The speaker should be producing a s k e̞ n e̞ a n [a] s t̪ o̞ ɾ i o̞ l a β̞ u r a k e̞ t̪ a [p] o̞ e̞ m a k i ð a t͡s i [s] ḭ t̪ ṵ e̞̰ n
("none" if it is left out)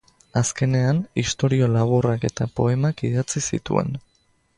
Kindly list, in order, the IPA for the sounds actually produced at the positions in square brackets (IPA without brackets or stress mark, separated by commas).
i, p, s